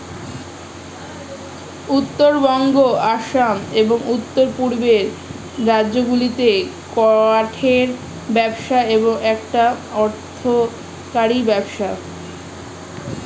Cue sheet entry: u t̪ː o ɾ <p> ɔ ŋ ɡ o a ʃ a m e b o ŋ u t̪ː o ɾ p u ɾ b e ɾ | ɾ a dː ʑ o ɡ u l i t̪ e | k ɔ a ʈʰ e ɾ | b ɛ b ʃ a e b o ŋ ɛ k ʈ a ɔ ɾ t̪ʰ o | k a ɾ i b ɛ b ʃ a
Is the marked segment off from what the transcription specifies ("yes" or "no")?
yes